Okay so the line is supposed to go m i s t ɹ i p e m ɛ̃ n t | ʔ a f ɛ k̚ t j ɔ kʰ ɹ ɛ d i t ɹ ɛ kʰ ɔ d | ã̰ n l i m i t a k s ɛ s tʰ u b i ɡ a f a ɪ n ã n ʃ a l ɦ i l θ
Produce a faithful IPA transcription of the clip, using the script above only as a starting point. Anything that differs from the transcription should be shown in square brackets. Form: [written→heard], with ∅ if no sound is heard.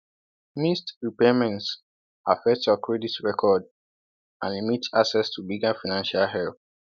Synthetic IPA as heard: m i s t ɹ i p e m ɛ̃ n t | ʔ a f ɛ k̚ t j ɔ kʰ ɹ ɛ d i t ɹ ɛ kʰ ɔ d | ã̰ n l i m i t a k s ɛ s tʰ u b i ɡ a f a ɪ n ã n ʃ a l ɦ [i→ɛ] l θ